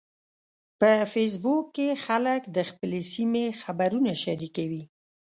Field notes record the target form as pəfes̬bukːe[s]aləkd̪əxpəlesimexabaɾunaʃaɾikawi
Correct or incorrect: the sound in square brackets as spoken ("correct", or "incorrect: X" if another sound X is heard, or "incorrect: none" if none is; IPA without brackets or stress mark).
incorrect: x